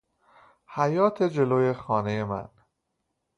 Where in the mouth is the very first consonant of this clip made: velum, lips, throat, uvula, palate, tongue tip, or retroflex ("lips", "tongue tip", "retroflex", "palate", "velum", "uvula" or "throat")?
throat